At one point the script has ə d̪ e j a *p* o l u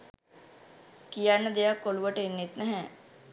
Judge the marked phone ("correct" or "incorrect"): incorrect